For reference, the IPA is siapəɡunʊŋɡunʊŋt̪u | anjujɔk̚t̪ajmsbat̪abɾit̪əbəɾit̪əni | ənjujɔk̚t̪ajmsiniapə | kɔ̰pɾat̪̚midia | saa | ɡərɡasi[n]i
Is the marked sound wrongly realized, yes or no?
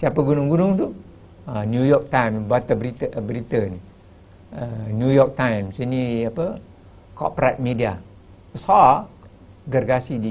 yes